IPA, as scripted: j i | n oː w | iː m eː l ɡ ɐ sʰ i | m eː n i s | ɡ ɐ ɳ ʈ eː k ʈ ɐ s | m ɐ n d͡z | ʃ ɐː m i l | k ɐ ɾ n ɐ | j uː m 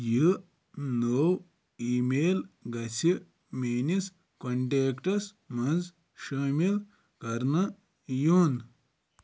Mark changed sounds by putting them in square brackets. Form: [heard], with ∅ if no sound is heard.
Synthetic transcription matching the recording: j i | n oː w | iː m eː l ɡ ɐ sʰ i | m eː n i s | [k] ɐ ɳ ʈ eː k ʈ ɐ s | m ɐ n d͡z | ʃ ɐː m i l | k ɐ ɾ n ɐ | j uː [n]